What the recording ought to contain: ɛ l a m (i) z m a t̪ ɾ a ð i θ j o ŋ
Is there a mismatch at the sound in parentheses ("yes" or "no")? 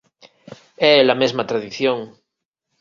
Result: yes